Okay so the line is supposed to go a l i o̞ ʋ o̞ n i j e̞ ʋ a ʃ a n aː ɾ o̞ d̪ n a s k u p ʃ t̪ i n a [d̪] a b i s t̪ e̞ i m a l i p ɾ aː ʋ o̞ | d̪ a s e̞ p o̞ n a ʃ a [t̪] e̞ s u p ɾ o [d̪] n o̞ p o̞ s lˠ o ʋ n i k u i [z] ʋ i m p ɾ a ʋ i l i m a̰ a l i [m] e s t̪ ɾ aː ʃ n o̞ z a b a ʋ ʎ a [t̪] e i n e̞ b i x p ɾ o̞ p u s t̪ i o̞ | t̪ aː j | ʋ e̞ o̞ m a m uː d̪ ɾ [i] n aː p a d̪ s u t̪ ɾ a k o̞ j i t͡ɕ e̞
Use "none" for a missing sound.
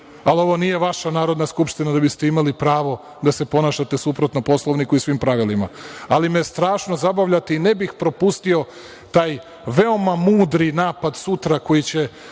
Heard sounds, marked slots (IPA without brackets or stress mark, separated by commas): d̪, t̪, t̪, s, m, t̪, i